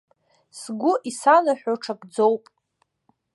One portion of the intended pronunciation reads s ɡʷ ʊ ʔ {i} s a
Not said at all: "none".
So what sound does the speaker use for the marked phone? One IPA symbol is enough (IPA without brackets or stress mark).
i